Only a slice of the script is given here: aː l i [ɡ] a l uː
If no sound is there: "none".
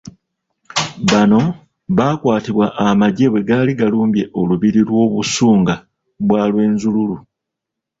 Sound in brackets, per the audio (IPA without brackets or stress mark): ɡ